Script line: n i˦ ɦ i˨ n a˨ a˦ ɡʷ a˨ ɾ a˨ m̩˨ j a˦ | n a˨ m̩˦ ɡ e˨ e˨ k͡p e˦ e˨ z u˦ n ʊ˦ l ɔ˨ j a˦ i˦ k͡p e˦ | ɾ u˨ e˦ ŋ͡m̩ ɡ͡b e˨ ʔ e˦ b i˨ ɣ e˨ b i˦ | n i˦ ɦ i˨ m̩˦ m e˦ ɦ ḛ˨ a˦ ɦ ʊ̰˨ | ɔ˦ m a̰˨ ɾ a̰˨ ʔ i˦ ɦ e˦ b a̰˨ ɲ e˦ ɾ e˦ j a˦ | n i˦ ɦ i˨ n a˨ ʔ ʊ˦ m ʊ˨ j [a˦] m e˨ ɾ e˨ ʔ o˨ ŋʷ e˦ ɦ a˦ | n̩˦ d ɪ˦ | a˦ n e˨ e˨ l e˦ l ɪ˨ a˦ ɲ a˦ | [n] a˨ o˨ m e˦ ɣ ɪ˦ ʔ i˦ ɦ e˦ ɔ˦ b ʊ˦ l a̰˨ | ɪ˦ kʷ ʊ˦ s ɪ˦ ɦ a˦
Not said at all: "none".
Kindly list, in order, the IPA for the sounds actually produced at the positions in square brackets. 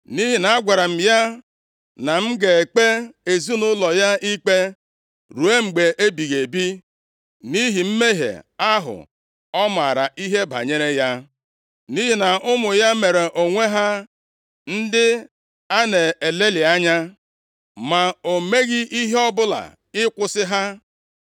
a˦, m

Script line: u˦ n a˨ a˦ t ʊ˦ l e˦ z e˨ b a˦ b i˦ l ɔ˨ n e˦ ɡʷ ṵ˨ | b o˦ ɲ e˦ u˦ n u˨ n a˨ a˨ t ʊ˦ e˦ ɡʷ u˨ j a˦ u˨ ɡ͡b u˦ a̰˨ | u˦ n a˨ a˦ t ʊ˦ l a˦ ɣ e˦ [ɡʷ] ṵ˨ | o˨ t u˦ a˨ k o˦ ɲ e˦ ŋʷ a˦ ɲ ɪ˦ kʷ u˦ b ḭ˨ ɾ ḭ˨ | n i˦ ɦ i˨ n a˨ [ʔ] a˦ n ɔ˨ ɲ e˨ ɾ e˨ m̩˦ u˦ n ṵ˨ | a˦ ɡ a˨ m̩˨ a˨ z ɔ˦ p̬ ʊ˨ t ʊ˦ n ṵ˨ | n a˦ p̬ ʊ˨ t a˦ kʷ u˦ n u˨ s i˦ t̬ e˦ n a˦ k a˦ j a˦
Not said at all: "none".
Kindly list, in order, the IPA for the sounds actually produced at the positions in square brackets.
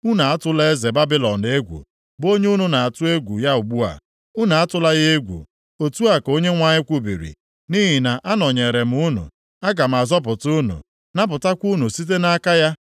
ɡʷ, ʔ

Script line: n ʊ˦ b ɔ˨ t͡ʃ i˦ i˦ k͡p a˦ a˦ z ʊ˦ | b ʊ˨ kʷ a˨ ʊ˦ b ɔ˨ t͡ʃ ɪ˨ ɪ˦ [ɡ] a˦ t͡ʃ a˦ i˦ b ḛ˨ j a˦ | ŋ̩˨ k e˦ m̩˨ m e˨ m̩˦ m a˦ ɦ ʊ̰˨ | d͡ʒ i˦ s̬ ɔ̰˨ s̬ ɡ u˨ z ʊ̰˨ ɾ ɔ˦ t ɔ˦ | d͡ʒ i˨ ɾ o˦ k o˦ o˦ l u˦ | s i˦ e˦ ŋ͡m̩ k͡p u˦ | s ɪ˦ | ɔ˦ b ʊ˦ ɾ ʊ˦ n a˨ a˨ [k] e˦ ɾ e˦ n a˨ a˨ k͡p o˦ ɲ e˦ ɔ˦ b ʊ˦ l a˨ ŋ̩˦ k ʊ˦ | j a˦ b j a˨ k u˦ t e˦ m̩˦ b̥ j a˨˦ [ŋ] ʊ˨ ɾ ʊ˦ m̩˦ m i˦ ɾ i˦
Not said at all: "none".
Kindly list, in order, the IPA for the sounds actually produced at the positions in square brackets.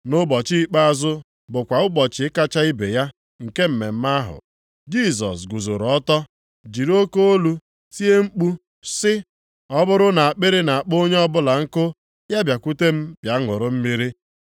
k, k͡p, ŋ

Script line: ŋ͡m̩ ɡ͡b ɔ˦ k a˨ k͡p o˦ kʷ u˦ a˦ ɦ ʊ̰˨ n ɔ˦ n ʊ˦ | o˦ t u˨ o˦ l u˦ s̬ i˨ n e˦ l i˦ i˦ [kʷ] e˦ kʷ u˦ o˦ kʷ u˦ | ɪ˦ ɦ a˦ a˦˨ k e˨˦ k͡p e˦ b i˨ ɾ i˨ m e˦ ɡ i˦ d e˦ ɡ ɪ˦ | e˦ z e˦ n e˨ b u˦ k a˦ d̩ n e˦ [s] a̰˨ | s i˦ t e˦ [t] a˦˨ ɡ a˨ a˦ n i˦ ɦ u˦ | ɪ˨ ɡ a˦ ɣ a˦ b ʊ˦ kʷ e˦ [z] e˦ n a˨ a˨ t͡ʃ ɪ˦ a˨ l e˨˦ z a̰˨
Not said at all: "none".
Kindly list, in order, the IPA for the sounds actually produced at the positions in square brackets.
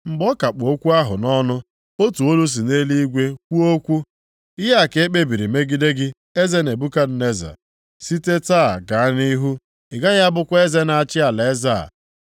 ɡʷ, z, t, z

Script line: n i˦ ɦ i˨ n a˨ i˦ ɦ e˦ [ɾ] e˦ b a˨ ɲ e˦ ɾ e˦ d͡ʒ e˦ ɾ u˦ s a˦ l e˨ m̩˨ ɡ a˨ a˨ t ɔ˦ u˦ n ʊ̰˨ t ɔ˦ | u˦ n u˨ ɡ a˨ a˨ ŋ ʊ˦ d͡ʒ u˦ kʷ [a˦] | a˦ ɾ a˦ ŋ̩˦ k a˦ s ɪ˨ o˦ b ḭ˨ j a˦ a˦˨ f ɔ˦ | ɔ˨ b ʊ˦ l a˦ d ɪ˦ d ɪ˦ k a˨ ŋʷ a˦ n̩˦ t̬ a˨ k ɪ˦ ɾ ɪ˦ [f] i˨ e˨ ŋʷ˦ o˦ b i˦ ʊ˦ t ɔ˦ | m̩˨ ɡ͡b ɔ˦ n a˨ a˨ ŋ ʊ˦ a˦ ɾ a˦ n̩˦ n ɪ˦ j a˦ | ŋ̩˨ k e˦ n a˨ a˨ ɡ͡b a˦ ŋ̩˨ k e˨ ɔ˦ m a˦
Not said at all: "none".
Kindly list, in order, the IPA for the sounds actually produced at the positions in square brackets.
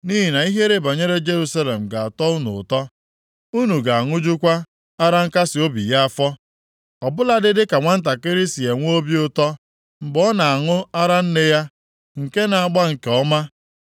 ɾ, a˦, s

